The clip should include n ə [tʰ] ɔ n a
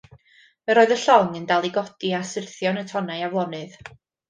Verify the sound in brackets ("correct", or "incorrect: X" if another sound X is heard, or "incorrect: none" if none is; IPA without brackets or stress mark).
correct